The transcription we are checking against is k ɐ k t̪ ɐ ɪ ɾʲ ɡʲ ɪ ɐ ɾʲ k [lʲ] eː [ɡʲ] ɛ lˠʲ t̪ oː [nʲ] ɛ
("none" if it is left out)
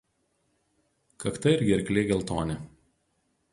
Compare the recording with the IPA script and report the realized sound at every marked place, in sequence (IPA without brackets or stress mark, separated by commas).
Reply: lʲ, ɡʲ, nʲ